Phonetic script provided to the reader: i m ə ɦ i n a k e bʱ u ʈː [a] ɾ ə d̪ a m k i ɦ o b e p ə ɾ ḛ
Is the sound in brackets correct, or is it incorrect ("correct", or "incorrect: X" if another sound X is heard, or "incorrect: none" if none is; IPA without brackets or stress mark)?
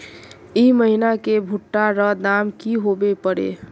correct